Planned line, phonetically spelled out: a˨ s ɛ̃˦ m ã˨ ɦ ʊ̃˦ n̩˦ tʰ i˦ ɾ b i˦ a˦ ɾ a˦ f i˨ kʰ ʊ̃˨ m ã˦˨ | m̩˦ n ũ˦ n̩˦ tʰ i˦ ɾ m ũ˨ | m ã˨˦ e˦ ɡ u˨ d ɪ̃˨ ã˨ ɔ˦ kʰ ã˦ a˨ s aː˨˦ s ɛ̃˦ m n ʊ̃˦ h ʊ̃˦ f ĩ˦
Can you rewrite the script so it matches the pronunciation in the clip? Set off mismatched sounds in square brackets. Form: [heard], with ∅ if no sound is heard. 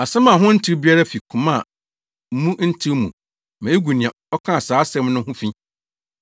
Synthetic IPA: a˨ s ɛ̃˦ m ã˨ ɦ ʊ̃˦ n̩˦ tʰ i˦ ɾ b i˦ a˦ ɾ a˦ f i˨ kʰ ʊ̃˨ m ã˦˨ | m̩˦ [m] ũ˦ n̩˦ tʰ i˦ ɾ m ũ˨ | m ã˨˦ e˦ ɡ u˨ [n] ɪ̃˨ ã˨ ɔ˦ kʰ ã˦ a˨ s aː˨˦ s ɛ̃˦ m n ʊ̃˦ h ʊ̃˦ f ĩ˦